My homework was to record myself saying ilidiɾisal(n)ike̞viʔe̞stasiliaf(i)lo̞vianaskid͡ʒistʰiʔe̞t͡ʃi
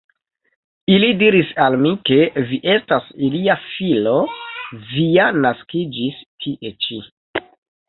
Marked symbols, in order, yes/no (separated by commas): no, yes